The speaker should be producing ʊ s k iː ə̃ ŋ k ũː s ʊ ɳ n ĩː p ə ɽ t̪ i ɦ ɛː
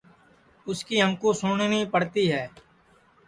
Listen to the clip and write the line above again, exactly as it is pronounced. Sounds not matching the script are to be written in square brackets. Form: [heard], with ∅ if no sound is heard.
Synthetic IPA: ʊ s k iː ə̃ ŋ k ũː s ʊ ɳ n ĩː p ə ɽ t̪ [iː] ɦ ɛː

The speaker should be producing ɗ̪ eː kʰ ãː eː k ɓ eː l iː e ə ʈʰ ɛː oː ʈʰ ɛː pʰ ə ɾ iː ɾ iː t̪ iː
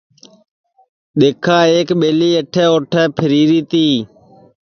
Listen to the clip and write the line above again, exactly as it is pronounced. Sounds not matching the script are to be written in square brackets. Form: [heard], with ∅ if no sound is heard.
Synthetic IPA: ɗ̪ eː kʰ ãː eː k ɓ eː l iː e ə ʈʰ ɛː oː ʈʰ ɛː pʰ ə ɾ iː ɾ iː t̪ iː

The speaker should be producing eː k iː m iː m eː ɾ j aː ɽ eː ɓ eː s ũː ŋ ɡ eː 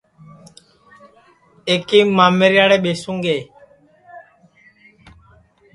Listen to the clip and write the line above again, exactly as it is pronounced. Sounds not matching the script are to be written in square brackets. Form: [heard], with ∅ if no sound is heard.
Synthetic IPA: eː k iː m [aː] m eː ɾ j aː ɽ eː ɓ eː s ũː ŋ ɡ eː

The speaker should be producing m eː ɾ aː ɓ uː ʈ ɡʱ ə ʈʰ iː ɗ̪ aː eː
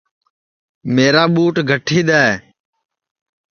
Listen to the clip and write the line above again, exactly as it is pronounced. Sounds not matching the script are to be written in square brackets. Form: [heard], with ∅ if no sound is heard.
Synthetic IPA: m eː ɾ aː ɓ uː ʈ ɡʱ ə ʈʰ iː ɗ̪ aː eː

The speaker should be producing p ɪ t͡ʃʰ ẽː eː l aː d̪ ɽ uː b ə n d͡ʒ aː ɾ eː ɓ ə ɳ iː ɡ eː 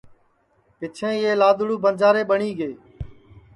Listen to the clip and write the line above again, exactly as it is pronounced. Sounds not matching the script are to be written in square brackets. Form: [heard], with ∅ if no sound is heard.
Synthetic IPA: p ɪ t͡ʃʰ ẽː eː l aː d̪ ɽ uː b ə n d͡ʒ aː ɾ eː ɓ ə ɳ iː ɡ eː

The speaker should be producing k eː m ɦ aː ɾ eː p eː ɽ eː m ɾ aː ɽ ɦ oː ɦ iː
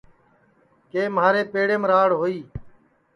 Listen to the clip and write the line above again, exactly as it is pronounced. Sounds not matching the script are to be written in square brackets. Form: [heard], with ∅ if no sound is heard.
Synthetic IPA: k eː m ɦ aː ɾ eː p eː ɽ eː m ɾ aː ɽ ɦ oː [∅] iː

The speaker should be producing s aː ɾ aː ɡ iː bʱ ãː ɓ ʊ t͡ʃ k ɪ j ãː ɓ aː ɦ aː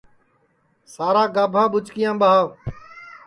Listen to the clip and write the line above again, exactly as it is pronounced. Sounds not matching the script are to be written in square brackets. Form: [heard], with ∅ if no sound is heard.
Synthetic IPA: s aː ɾ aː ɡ [aː] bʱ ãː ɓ ʊ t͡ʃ k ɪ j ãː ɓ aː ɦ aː

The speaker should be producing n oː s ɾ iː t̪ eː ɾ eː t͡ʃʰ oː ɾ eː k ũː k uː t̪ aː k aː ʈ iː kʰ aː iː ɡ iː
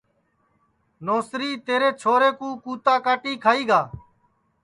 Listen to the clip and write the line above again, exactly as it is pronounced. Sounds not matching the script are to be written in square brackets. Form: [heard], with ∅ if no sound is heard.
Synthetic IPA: n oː s ɾ iː t̪ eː ɾ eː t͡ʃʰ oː ɾ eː k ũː k uː t̪ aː k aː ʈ iː kʰ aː iː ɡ [aː]

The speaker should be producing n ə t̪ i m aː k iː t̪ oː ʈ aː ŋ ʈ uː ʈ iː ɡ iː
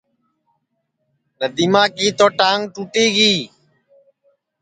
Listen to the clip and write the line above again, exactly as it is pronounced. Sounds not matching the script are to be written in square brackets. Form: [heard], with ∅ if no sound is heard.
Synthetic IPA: n ə [d̪] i m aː k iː t̪ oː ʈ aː ŋ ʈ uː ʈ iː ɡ iː

